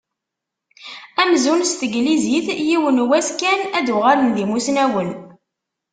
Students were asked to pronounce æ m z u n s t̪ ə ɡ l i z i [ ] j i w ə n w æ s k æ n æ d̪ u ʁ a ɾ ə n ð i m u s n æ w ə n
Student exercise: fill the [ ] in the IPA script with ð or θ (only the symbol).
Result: θ